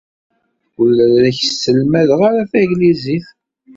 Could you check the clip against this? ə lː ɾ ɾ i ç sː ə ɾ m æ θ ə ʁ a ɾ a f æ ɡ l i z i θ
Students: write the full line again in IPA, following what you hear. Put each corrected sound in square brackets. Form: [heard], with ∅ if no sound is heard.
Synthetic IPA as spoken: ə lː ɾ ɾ [æ] ç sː ə [l] m æ [ð] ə ʁ a ɾ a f æ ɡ l i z i θ